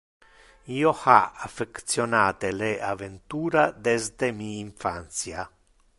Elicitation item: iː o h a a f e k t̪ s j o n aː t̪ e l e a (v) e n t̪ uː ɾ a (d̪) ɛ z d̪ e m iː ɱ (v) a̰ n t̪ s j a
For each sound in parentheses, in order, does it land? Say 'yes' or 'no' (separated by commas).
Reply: yes, yes, no